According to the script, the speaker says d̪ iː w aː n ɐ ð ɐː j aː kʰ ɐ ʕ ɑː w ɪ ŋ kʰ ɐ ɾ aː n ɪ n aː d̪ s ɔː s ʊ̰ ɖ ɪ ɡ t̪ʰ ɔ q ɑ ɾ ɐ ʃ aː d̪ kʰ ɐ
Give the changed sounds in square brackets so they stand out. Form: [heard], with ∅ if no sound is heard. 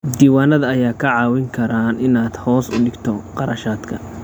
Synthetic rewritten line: d̪ iː w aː n ɐ ð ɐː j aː kʰ ɐ ʕ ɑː w ɪ ŋ kʰ ɐ ɾ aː n ɪ n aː d̪ [h] ɔː s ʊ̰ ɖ ɪ ɡ t̪ʰ ɔ q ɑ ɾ ɐ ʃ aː d̪ kʰ ɐ